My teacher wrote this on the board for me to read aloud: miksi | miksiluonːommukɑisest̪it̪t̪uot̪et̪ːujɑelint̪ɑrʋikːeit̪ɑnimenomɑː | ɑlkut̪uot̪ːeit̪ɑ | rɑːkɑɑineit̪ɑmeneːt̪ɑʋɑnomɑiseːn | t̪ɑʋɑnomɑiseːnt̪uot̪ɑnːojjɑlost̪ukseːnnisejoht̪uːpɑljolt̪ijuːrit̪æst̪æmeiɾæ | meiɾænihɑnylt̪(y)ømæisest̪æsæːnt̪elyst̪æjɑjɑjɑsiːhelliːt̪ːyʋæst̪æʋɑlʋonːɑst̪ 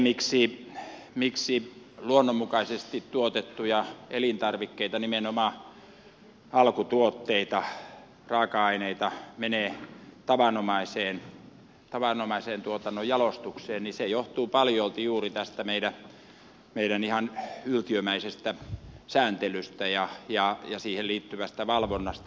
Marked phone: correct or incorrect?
incorrect: i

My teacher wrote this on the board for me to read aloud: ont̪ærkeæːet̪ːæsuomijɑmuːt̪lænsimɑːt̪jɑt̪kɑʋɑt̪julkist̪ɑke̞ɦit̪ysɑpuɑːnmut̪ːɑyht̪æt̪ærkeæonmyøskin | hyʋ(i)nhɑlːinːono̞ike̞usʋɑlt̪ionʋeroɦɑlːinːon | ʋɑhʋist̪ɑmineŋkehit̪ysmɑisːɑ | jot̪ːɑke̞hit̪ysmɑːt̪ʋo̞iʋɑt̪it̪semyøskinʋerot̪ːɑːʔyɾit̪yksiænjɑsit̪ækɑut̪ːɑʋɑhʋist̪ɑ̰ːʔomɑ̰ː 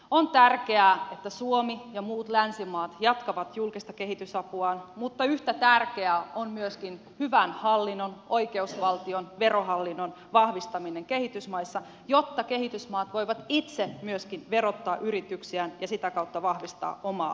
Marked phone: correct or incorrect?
incorrect: æ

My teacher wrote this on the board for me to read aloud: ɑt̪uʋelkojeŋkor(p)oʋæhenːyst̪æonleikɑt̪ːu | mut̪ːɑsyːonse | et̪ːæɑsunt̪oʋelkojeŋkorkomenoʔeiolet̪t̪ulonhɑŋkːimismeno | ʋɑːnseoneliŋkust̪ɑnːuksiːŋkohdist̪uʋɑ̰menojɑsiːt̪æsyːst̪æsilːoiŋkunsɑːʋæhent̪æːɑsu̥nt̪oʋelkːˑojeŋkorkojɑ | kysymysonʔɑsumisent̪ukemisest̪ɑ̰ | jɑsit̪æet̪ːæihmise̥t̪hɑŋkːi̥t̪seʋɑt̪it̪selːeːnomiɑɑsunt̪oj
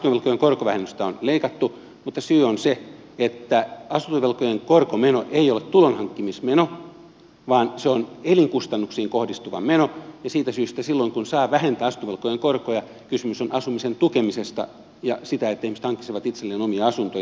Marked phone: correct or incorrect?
incorrect: k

